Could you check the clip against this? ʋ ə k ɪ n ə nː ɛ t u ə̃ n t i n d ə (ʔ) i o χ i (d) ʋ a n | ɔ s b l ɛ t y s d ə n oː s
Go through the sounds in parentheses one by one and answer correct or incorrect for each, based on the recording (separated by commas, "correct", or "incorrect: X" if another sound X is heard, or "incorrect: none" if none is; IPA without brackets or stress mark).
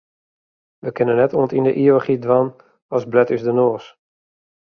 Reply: correct, correct